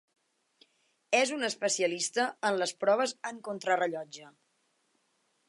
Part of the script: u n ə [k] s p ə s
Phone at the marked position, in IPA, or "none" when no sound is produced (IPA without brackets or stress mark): none